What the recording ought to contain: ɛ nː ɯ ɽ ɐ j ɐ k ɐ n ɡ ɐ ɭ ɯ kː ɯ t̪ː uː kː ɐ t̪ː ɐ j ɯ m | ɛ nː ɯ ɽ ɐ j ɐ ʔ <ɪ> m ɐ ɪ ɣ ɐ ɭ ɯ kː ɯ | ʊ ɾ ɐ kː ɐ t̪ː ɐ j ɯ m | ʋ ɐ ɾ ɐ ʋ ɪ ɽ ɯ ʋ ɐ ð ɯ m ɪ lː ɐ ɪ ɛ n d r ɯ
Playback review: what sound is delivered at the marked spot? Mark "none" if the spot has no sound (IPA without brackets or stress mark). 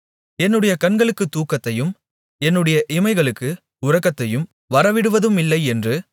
ɪ